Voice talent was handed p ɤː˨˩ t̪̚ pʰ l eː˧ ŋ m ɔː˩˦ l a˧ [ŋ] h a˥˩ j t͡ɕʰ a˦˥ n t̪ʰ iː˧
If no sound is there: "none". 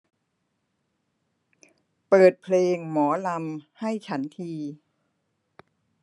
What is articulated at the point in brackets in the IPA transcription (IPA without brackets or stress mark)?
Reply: m